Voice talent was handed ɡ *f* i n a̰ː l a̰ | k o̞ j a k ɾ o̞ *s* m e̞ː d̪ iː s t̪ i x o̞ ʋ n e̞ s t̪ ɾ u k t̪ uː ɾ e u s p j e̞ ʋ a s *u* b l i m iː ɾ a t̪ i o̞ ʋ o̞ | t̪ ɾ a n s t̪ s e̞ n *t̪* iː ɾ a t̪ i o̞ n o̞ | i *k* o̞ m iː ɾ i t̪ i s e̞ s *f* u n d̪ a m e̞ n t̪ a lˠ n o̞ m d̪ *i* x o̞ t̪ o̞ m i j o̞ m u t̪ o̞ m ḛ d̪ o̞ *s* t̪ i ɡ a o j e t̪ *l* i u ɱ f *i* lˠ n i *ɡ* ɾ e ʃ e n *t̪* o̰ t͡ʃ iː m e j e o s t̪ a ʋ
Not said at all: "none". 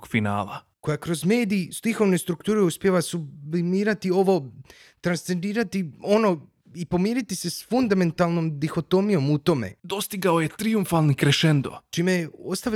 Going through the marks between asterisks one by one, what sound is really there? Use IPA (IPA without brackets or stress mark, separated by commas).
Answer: f, z, u, d̪, p, f, i, s, ɾ, a, k, d̪